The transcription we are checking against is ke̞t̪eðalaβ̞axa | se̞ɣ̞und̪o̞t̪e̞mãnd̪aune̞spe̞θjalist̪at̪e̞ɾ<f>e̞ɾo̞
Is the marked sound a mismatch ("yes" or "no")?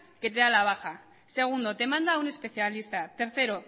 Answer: yes